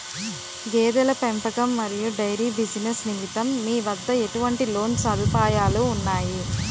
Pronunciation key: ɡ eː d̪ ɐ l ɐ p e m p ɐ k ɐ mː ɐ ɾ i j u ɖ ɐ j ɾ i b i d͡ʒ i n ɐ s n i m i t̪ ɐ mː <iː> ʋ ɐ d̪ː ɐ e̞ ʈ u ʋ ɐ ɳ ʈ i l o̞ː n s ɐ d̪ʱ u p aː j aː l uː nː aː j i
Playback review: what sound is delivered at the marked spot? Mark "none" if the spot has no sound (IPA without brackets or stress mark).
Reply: iː